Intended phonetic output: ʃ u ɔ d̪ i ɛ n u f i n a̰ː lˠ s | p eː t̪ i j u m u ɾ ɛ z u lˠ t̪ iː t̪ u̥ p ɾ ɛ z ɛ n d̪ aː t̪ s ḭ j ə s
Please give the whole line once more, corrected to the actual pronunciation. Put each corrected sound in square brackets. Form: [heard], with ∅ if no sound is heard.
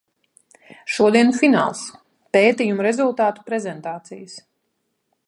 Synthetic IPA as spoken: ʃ u ɔ d̪ i ɛ n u f i n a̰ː lˠ s | p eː t̪ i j u m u ɾ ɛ z u lˠ t̪ [aː] t̪ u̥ p ɾ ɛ z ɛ n [t̪] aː t̪ s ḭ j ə s